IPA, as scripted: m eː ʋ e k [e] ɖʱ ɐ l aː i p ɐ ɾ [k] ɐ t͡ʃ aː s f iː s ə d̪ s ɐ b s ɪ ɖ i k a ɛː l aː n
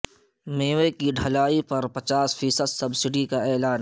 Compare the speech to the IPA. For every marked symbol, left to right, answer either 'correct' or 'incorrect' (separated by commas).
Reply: incorrect, incorrect